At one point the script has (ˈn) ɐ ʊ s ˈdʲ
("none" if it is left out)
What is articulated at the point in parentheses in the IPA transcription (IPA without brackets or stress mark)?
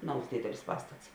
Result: n